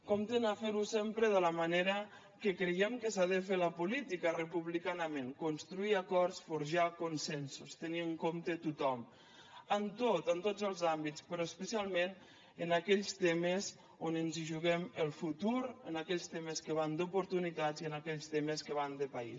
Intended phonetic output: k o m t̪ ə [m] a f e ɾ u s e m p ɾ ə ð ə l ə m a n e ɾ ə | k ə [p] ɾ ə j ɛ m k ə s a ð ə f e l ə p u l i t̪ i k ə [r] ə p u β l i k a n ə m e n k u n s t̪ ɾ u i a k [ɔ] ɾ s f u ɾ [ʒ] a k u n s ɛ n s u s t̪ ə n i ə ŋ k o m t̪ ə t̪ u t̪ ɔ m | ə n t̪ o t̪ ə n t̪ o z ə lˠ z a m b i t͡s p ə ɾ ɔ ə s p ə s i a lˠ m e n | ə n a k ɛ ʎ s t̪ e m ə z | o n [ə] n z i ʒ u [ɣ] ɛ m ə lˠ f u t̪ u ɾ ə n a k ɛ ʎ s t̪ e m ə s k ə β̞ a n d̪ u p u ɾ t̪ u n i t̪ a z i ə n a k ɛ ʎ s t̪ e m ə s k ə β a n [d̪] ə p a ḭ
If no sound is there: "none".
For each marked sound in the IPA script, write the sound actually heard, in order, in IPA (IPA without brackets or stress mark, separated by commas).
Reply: n, k, r, ɔ, ʒ, ə, ɣ, d̪